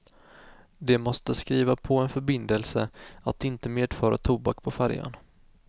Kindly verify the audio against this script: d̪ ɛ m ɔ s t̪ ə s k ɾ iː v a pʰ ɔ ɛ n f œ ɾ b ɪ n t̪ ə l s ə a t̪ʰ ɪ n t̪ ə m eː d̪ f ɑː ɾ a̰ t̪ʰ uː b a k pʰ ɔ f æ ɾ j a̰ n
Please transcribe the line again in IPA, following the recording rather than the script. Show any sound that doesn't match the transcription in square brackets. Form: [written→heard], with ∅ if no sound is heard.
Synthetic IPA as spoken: d̪ ɛ m ɔ s t̪ ə s k ɾ iː v a pʰ ɔ ɛ n f œ ɾ b ɪ n [t̪→d̪] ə l s ə a [t̪ʰ→t̪] ɪ n t̪ ə m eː d̪ f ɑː ɾ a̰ t̪ʰ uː b a k pʰ ɔ f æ ɾ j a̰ n